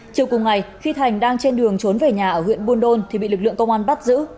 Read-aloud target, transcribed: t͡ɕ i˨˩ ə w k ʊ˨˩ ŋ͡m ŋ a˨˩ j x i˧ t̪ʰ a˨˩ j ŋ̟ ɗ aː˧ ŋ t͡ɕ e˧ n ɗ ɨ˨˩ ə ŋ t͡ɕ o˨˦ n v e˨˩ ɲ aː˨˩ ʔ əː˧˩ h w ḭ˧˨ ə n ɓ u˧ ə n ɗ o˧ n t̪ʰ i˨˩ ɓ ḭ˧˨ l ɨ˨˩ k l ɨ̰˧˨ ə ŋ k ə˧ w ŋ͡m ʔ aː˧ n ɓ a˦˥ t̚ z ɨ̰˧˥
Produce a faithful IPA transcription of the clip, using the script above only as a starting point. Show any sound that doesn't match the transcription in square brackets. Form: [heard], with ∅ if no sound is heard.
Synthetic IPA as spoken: t͡ɕ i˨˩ ə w k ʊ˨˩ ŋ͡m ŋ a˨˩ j x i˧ t̪ʰ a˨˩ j ŋ̟ ɗ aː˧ ŋ t͡ɕ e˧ n ɗ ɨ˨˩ ə ŋ t͡ɕ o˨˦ n v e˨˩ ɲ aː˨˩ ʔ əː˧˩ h w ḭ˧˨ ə n ɓ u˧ ə n ɗ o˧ n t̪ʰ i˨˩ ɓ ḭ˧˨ l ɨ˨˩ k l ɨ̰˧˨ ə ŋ k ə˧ w ŋ͡m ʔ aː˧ n ɓ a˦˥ t̚ z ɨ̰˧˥